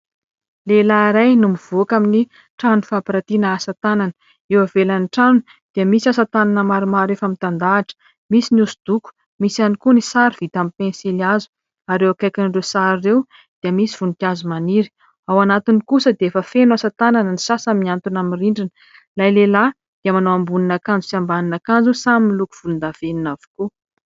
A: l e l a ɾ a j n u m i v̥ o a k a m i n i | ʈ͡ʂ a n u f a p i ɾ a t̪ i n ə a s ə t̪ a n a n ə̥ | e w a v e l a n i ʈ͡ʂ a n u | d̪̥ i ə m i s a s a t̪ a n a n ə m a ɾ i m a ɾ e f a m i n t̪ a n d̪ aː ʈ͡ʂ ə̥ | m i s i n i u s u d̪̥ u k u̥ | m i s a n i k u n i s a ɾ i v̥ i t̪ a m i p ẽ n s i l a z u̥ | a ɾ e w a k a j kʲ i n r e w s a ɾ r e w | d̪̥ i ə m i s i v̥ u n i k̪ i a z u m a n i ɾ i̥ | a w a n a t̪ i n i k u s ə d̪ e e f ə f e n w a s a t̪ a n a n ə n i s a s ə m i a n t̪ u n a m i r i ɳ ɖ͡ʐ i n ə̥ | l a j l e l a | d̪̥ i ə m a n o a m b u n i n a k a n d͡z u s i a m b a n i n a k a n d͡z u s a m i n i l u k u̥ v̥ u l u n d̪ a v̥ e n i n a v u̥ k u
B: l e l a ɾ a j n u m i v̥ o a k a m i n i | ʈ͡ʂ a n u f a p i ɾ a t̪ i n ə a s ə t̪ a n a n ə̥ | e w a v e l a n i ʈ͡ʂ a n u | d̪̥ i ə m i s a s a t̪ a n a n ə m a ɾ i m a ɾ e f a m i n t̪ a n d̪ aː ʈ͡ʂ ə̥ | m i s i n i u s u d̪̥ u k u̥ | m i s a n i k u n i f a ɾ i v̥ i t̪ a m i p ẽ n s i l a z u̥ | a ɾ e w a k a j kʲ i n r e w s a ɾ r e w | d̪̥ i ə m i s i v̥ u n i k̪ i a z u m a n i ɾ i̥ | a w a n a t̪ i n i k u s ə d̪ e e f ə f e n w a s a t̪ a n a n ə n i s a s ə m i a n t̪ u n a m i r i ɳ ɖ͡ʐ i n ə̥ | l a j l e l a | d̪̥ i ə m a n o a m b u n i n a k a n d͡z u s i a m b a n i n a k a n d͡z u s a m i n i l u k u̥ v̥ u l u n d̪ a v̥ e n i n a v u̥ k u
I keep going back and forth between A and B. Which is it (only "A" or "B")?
A